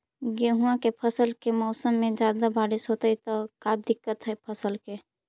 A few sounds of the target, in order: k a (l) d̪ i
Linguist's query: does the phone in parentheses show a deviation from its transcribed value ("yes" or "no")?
yes